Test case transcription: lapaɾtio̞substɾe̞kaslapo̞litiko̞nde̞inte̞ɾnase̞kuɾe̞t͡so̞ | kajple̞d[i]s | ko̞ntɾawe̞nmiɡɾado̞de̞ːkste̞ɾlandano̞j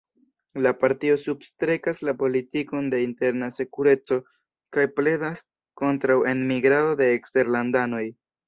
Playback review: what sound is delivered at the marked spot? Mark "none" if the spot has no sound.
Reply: a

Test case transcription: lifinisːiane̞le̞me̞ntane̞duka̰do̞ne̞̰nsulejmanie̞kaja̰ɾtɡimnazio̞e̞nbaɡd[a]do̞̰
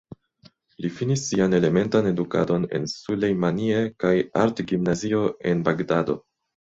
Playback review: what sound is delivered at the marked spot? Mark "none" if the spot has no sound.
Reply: a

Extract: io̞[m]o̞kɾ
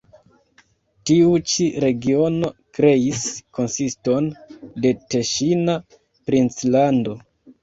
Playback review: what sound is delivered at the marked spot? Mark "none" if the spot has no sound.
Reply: n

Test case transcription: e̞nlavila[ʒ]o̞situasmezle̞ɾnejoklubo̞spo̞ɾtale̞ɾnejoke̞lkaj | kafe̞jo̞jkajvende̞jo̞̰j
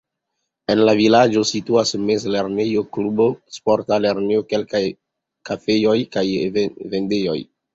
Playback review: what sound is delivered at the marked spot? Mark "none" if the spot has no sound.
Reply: d͡ʒ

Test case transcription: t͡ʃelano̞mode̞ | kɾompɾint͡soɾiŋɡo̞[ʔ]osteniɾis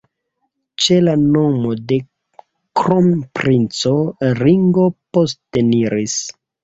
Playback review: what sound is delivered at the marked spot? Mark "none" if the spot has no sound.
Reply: p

